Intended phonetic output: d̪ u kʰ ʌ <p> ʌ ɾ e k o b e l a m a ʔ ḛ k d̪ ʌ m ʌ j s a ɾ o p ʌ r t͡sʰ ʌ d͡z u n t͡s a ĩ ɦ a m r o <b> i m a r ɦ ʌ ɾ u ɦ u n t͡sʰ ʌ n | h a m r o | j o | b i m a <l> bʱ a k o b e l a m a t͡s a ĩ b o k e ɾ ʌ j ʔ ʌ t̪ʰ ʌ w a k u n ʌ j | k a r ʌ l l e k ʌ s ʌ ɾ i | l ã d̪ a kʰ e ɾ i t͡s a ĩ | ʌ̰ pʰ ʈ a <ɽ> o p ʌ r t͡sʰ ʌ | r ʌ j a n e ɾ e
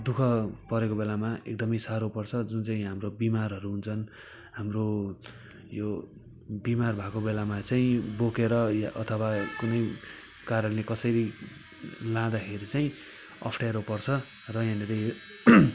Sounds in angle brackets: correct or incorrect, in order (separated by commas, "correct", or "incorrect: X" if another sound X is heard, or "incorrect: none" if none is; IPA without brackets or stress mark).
correct, correct, incorrect: r, incorrect: ɾ